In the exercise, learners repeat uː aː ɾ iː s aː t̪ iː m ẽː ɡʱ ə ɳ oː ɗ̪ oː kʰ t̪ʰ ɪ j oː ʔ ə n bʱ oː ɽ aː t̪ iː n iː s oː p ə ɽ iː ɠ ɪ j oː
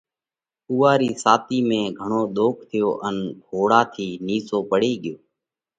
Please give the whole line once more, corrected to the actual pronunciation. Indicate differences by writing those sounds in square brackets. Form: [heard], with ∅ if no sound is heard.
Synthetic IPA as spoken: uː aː ɾ iː s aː t̪ iː m ẽː ɡʱ ə ɳ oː ɗ̪ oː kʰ t̪ʰ ɪ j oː ʔ ə n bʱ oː ɽ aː [t̪ʰ] iː n iː s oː p ə ɽ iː ɠ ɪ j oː